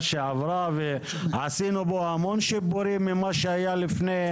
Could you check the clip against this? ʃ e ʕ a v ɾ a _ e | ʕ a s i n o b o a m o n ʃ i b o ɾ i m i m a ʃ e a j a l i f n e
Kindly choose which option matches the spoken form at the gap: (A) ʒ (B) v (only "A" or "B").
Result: B